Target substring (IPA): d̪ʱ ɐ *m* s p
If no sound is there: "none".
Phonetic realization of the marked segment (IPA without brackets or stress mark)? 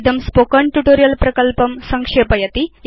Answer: m